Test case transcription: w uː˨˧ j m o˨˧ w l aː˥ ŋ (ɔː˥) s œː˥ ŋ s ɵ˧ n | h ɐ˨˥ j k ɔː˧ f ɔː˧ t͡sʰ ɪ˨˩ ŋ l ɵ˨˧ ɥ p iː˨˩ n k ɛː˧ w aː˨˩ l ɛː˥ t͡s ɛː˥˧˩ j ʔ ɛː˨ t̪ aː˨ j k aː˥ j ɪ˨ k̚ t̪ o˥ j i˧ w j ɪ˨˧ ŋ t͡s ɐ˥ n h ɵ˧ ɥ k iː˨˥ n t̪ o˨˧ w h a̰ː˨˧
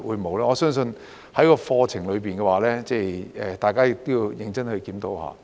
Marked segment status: incorrect: ɔː˨˧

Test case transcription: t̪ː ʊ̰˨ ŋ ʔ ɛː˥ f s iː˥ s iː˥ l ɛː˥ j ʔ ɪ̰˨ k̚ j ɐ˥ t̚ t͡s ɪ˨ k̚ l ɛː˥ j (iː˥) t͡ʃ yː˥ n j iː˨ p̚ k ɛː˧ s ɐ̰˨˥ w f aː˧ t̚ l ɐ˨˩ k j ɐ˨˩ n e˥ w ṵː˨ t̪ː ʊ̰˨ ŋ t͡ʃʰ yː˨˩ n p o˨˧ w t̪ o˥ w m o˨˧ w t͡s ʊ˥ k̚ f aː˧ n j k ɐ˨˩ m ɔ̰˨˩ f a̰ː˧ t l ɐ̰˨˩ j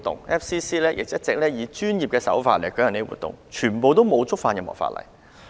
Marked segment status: incorrect: iː˨˧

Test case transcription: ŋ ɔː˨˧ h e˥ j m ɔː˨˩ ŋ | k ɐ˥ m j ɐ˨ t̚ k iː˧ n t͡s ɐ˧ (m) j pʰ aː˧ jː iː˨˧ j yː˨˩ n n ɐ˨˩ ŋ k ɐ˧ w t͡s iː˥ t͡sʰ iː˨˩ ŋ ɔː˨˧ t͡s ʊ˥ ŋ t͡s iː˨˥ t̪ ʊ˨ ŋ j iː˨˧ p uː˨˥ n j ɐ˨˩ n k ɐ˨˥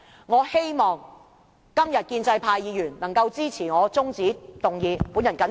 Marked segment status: incorrect: none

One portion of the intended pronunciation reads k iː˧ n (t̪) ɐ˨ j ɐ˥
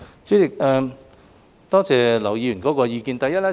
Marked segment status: correct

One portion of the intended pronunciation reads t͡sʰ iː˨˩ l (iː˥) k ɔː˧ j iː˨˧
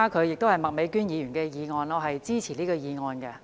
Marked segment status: correct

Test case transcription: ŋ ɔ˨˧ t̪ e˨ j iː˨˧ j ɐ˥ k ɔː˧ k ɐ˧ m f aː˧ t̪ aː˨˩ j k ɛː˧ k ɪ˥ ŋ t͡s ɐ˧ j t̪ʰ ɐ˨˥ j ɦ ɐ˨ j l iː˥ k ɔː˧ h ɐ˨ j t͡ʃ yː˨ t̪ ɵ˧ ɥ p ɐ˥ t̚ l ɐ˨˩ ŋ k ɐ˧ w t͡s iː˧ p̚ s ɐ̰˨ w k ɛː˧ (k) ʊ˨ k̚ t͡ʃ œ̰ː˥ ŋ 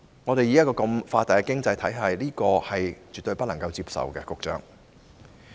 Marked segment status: correct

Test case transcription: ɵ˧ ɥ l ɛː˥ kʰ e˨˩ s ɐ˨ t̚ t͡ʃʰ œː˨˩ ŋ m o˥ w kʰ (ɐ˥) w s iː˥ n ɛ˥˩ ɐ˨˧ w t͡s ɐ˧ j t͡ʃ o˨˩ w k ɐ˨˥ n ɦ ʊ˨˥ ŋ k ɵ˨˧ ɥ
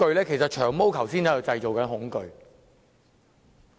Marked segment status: incorrect: ɐ˨˩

